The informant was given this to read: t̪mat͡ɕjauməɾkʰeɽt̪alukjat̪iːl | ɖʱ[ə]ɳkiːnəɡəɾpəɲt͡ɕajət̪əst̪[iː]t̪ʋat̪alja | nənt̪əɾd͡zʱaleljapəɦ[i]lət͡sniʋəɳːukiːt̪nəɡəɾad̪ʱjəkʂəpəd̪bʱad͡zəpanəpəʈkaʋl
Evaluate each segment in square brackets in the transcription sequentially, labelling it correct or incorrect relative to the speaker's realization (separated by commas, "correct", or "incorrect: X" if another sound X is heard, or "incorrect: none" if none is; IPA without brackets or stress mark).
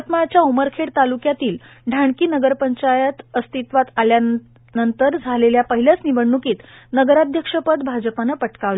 incorrect: a, incorrect: i, correct